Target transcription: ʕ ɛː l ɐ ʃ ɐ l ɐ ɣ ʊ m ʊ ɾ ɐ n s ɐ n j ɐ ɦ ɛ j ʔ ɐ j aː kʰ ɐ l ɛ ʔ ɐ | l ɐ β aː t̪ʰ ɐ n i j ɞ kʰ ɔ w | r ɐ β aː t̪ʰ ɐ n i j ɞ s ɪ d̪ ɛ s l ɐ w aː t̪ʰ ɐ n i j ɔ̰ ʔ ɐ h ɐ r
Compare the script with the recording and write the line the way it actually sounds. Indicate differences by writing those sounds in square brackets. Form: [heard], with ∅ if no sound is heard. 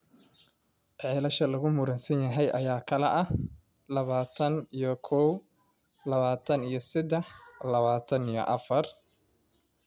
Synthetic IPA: ʕ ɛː l ɐ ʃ ɐ l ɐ ɣ ʊ m ʊ ɾ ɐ n s ɐ n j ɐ ɦ ɛ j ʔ ɐ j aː kʰ ɐ l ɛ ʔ ɐ | l ɐ β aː t̪ʰ ɐ n i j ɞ kʰ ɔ w | [l] ɐ β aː t̪ʰ ɐ n i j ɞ s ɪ d̪ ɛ [ħ] l ɐ [β] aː t̪ʰ ɐ n i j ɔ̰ ʔ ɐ [f] ɐ r